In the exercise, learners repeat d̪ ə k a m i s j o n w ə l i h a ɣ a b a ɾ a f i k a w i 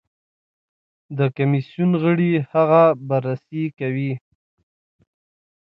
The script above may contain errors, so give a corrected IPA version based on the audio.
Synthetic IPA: d̪ ə k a m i s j u n ɣ ə ɽ i h a ɣ a b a ɾ a s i k a w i